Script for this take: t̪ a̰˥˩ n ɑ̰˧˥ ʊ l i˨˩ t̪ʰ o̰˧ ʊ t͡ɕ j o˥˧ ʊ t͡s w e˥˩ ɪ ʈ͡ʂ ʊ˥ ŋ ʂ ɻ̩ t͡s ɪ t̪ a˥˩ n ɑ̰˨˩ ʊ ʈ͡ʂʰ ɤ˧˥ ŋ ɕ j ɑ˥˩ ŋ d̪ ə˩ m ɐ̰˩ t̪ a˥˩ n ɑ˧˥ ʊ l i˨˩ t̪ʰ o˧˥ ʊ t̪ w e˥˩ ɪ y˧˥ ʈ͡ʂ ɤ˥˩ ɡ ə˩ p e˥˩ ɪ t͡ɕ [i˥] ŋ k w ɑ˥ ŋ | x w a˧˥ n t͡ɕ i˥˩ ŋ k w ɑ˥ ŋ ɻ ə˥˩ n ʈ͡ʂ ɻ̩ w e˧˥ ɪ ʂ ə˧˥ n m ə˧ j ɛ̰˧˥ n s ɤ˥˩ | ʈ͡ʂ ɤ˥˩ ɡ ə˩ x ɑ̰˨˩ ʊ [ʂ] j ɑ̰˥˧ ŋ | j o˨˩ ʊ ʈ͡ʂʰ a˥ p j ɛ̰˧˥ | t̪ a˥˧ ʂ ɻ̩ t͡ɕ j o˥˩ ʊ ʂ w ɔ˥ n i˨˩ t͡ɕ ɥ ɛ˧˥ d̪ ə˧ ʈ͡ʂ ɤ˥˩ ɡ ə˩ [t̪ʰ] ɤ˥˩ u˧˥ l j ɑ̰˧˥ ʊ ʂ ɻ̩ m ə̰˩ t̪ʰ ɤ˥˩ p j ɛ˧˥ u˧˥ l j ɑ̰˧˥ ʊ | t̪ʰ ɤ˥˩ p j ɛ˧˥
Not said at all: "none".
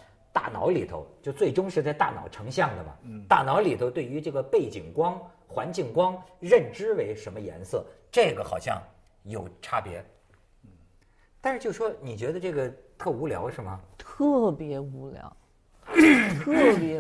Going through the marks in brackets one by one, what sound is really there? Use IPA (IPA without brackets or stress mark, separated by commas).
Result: i˨˩, ɕ, t̪ʰ